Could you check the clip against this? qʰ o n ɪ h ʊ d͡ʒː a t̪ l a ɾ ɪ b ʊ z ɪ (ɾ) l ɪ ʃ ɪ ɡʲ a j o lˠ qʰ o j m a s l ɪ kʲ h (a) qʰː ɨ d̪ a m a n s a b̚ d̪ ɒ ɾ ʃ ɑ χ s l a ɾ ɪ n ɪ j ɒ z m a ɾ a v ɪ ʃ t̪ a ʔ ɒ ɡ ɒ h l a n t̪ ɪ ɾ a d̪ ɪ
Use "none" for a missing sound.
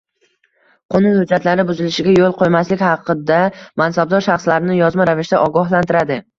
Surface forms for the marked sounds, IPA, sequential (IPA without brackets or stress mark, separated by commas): none, ɑ